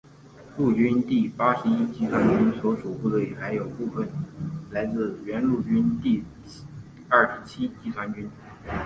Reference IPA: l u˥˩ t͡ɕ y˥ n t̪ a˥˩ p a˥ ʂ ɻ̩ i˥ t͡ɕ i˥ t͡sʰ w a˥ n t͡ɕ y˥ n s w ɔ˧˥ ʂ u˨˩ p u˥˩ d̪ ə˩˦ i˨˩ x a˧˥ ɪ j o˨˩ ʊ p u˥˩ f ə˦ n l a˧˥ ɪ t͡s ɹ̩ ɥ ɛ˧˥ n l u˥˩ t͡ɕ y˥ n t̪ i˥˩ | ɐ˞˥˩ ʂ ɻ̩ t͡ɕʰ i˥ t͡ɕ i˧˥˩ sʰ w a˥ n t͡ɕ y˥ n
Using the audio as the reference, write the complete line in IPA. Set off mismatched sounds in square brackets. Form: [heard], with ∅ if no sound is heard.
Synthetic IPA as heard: l u˥˩ t͡ɕ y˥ n t̪ [i˥˩] p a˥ ʂ ɻ̩ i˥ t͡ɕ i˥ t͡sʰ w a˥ n t͡ɕ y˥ n s w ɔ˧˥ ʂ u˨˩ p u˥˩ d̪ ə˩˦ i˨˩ x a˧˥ ɪ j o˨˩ ʊ p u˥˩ f [ə˨˩] n l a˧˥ ɪ t͡s ɹ̩ ɥ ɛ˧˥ n l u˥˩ t͡ɕ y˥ n t̪ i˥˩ | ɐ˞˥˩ ʂ ɻ̩ t͡ɕʰ i˥ t͡ɕ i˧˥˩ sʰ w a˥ n t͡ɕ y˥ n

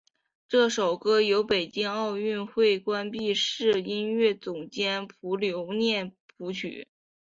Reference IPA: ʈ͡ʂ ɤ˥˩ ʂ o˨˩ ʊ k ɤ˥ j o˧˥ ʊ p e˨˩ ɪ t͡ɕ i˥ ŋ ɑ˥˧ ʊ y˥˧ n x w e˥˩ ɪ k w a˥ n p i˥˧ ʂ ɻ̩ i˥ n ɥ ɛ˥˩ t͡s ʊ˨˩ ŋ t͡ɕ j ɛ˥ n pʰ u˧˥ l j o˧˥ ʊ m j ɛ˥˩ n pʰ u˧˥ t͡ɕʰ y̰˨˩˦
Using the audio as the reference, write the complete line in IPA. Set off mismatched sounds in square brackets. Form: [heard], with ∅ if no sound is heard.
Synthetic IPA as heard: ʈ͡ʂ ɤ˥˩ ʂ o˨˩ ʊ k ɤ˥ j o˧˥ ʊ p e˨˩ ɪ t͡ɕ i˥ ŋ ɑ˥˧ ʊ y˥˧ n x w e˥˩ ɪ k w a˥ n p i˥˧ ʂ ɻ̩ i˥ n ɥ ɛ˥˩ t͡s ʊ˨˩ ŋ t͡ɕ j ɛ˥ n pʰ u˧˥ l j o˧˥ ʊ [n] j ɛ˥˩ n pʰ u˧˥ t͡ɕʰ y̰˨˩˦

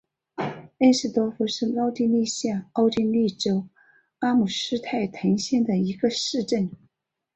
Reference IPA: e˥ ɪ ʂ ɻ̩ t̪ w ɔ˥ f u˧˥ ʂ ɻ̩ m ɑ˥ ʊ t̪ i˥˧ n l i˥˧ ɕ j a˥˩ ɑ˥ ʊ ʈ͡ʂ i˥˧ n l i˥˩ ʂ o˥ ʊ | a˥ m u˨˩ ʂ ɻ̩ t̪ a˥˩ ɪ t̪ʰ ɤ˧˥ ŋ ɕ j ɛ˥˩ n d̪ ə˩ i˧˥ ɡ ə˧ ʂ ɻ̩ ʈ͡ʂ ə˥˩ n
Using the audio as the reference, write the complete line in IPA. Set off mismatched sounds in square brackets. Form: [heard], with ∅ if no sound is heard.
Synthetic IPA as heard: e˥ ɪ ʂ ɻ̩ t̪ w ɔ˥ f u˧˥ ʂ ɻ̩ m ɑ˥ ʊ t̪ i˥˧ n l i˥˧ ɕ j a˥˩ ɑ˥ ʊ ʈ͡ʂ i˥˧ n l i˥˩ [ʈ͡ʂ] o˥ ʊ | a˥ m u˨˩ ʂ ɻ̩ [t̪ʰ] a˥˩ ɪ t̪ʰ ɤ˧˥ ŋ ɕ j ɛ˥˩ n d̪ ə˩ i˧˥ ɡ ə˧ ʂ ɻ̩ ʈ͡ʂ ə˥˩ n

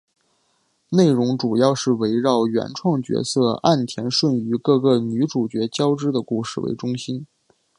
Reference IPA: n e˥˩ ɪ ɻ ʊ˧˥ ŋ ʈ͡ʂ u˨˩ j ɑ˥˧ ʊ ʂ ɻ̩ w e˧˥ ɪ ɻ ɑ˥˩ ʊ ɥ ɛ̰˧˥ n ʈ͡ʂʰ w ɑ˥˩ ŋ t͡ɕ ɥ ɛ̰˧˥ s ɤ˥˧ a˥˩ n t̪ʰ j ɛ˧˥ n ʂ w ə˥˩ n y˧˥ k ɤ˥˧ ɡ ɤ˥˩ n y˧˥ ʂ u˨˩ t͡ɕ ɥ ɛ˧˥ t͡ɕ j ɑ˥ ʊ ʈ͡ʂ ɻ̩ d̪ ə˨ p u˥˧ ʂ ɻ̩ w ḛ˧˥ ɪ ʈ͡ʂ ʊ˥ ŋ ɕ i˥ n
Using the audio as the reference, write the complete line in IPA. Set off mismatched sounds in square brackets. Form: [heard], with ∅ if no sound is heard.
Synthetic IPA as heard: n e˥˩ ɪ ɻ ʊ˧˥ ŋ ʈ͡ʂ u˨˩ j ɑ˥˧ ʊ ʂ ɻ̩ w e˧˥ ɪ ɻ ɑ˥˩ ʊ ɥ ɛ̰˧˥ n ʈ͡ʂʰ w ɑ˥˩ ŋ t͡ɕ ɥ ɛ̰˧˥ s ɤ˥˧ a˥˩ n t̪ʰ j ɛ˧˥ n ʂ w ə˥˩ n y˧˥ k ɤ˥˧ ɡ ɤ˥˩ n y˧˥ [ʈ͡ʂ] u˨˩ t͡ɕ ɥ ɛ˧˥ t͡ɕ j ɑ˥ ʊ ʈ͡ʂ ɻ̩ d̪ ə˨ [k] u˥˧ ʂ ɻ̩ w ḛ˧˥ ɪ ʈ͡ʂ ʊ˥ ŋ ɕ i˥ n

